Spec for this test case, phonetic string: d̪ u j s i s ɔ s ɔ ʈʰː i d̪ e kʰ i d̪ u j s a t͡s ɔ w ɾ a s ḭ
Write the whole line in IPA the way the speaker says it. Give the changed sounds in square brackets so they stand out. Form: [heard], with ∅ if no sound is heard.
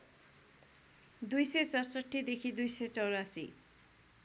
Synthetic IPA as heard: d̪ u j s [e] s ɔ s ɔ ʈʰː i d̪ e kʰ i d̪ u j s [e] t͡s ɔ w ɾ a s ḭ